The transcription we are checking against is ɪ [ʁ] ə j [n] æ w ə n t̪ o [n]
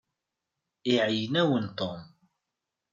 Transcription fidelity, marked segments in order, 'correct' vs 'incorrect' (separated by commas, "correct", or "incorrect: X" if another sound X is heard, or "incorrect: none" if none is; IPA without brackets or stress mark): incorrect: ʕ, correct, incorrect: m